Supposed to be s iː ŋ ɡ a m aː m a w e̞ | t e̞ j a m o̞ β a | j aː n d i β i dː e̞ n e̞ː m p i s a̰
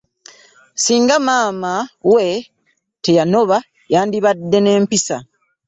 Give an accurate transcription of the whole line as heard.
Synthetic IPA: s iː ŋ ɡ a m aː m a w e̞ | t e̞ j a n o̞ β a | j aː n d i β a dː e̞ n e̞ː m p i s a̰